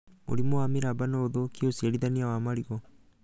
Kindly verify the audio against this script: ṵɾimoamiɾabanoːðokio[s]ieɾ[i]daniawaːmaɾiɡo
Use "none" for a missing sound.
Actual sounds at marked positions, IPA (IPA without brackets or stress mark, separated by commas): s, i